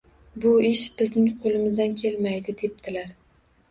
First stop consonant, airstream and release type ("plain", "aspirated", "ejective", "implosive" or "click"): plain